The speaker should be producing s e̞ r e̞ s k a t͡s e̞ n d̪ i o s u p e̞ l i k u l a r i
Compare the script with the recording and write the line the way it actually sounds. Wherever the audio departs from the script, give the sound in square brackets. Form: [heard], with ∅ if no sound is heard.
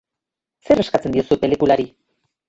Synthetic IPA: s e̞ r e̞ s k a t͡s e̞ n d̪ i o s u p e̞ l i k u l a [ɾ] i